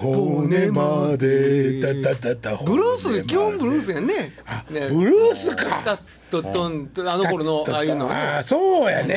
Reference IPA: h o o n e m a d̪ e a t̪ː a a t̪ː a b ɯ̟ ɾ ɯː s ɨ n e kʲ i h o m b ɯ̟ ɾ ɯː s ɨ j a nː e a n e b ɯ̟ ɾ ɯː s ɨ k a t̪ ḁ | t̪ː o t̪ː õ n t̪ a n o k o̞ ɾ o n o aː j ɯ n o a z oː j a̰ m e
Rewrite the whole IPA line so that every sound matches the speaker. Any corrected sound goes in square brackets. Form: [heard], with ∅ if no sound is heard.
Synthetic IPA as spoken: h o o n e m a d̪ e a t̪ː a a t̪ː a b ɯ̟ ɾ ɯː s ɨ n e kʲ i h [õ] m b ɯ̟ ɾ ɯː s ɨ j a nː e a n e b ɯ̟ ɾ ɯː s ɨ k a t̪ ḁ | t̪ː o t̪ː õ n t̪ a n o k o̞ ɾ o n o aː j ɯ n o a [s] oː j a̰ [n] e